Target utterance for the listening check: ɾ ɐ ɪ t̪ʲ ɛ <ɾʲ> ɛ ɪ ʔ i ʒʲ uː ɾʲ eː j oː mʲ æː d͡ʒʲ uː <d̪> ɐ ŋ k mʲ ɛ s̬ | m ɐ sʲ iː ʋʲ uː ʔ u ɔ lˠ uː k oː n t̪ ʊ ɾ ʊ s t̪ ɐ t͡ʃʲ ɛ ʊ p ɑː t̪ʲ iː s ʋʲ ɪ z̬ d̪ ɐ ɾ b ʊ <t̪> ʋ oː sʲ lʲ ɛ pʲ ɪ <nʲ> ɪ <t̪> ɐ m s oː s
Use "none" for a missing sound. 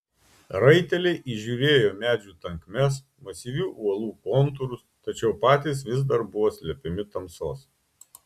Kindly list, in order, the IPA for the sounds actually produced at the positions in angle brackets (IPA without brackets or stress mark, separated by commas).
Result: lʲ, t̪, none, mʲ, t̪